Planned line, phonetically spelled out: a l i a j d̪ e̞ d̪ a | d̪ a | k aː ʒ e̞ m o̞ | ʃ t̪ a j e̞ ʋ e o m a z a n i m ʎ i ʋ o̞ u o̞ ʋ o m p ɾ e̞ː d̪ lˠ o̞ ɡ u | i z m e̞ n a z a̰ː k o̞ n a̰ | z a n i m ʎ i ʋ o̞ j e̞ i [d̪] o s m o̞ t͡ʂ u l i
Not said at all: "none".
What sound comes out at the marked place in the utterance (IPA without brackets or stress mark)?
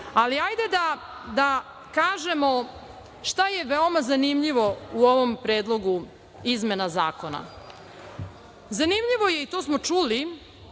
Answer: t̪